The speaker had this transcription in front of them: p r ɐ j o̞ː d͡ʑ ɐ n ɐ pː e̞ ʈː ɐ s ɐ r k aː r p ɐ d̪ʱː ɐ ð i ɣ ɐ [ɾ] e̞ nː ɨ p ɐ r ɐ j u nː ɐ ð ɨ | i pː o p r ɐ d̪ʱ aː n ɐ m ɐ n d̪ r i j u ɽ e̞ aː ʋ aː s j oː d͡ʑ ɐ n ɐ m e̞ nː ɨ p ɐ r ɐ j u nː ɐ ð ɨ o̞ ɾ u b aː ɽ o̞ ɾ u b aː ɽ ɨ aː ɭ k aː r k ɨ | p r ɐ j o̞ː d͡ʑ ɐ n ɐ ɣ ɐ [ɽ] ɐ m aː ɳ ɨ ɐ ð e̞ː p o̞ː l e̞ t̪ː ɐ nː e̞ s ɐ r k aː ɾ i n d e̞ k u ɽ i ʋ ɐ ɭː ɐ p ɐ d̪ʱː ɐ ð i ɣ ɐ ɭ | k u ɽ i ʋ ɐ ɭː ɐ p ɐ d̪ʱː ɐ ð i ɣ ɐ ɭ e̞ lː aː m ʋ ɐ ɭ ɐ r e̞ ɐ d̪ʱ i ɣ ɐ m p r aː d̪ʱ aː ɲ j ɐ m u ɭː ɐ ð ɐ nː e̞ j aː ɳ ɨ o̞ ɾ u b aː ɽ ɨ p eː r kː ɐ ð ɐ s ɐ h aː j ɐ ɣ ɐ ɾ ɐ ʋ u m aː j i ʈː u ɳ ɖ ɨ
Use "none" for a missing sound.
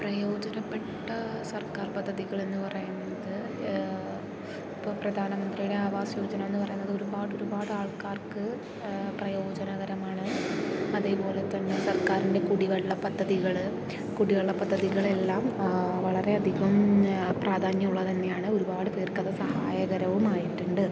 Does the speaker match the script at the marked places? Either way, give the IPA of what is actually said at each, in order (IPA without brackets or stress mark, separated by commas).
ɭ, ɾ